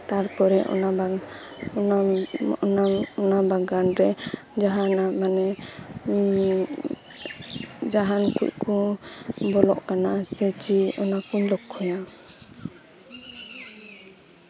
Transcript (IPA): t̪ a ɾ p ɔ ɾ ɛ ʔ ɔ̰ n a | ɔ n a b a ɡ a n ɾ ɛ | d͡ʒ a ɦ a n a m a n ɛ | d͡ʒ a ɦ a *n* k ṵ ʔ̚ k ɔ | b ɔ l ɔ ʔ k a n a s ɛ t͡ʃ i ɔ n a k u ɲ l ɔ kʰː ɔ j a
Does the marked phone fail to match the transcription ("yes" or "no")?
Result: no